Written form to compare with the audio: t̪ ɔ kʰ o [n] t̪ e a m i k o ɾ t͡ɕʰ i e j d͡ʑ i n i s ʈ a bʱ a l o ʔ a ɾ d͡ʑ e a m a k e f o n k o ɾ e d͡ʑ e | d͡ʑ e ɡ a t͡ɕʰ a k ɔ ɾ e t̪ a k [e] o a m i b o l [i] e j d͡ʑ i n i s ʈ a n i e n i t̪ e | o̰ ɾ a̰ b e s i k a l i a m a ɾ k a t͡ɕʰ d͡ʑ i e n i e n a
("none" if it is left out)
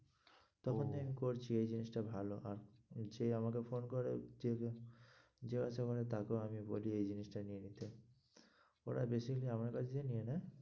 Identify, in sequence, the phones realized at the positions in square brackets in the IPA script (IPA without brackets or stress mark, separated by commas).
n, e, i